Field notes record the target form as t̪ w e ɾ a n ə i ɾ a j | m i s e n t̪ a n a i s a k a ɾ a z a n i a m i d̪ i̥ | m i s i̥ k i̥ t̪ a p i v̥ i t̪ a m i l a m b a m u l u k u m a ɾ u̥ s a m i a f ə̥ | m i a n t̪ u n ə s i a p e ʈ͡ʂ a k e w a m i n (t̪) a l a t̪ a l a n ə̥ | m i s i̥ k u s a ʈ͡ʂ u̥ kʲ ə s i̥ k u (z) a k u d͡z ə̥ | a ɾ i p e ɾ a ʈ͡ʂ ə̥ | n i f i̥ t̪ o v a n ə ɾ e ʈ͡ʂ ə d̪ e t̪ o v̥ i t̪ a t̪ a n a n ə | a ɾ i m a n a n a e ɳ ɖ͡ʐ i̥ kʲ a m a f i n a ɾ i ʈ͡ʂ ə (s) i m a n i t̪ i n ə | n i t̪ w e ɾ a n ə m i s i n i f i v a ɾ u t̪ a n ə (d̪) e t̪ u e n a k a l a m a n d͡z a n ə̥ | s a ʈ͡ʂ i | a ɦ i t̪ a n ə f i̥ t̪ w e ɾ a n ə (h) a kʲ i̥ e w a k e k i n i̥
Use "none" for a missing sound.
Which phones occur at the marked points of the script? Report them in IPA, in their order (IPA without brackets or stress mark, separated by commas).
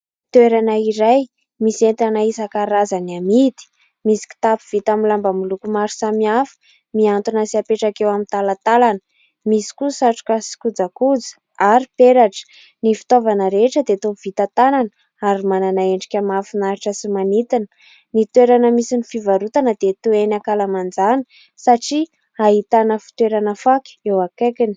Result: t̪, d͡z, s, d̪, f